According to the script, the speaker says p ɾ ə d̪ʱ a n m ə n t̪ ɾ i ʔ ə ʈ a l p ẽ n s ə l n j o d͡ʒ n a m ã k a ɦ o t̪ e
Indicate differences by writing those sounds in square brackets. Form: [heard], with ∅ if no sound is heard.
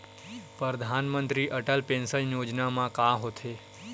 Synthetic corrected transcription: p ɾ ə d̪ʱ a n m ə n t̪ ɾ i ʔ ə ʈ [ə] l p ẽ n s ə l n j o d͡ʒ n a m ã k a ɦ o [t̪ʰ] e